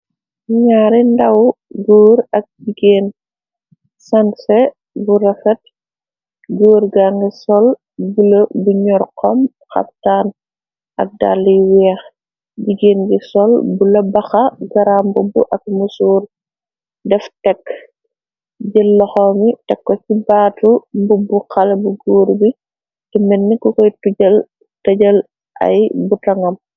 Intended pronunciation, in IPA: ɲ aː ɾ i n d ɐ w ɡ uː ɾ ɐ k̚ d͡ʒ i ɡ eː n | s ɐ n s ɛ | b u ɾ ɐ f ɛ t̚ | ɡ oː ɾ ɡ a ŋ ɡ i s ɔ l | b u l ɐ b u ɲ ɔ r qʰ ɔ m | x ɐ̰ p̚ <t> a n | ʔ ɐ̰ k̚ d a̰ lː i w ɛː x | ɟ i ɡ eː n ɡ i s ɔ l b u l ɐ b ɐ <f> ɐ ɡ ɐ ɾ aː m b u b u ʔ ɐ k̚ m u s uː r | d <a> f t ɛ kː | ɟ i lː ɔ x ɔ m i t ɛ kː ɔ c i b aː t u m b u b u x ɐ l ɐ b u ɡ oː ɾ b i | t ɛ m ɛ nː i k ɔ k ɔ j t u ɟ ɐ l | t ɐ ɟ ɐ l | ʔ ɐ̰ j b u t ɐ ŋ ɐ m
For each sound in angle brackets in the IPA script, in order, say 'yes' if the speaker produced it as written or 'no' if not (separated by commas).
yes, no, no